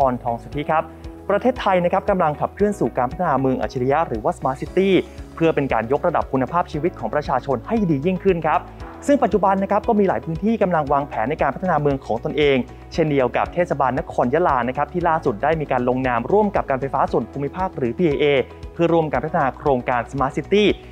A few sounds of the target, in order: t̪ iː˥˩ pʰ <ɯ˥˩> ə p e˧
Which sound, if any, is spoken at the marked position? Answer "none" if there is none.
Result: ɯ˥˩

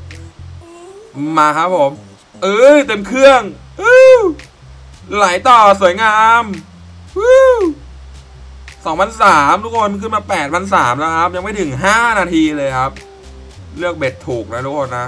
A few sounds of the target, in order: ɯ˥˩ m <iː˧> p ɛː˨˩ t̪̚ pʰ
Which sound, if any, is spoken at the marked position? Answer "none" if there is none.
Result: aː˧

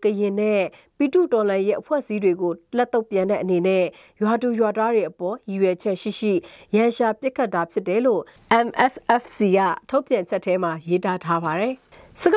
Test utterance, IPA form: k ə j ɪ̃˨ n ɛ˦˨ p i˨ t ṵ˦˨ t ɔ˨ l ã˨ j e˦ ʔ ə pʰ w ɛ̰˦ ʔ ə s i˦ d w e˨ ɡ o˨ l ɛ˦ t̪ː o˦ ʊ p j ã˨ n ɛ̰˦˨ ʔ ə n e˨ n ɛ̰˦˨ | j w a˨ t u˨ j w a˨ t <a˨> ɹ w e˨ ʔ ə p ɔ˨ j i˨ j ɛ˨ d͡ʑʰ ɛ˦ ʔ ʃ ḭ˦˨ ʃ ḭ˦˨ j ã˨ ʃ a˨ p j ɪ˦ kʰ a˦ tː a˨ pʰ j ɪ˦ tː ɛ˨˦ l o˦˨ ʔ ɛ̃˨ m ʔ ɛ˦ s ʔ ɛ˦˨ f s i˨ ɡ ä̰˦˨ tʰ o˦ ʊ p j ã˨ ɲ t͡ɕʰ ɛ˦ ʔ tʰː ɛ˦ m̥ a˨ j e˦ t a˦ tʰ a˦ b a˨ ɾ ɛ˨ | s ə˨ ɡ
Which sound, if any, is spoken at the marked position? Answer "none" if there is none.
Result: a˦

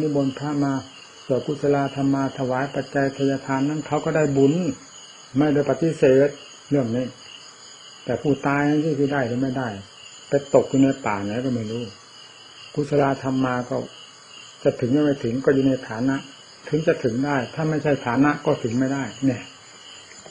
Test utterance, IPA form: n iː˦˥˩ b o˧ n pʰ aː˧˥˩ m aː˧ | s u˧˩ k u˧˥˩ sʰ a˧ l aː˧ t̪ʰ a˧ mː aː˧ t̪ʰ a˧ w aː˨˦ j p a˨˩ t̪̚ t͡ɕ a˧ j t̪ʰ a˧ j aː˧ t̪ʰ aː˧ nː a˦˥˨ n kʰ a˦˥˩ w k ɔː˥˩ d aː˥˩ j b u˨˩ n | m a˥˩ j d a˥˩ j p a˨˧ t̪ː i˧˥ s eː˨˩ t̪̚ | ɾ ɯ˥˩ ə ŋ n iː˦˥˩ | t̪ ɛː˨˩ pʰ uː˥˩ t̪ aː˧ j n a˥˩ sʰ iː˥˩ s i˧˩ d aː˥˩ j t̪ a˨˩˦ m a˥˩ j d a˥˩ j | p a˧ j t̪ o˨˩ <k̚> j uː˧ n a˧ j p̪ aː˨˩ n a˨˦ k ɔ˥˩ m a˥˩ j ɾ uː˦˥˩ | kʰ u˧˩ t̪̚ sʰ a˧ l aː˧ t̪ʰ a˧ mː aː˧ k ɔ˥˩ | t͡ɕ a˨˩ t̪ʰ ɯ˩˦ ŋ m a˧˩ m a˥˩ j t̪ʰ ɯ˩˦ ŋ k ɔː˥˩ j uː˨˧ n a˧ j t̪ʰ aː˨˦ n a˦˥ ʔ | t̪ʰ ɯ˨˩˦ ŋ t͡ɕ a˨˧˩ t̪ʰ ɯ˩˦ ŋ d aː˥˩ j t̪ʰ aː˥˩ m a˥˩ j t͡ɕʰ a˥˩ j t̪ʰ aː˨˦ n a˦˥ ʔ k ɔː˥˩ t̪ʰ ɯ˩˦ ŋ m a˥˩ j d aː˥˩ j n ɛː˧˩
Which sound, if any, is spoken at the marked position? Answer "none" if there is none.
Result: k̚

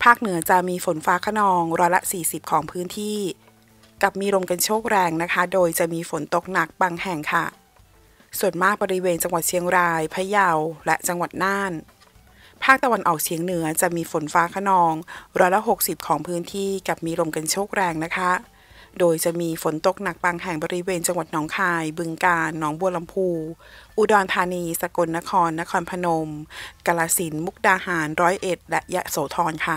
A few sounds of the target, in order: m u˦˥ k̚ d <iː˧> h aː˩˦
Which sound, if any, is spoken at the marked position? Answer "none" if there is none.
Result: aː˧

